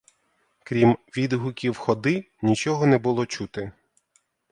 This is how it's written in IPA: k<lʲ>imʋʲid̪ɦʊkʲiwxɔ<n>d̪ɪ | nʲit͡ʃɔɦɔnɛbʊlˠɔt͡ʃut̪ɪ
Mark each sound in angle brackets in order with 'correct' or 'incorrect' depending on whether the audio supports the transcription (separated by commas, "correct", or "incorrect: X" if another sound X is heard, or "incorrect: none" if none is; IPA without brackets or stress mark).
incorrect: ɾʲ, incorrect: none